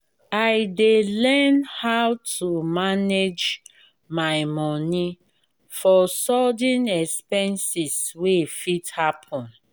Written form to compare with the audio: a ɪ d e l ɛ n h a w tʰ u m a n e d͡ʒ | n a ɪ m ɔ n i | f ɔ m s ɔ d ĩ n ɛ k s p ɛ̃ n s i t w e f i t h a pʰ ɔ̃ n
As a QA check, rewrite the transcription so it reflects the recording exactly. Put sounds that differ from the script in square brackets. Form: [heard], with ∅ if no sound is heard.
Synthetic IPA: a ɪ d e l ɛ n h a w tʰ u m a n e d͡ʒ | [m] a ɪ m ɔ n i | f ɔ [∅] s ɔ d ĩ n ɛ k s p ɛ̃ n s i [s] w e f i t h a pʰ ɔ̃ n